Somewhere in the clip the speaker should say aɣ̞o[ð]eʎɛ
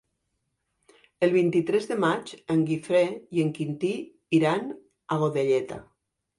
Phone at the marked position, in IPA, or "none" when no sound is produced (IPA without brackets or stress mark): ð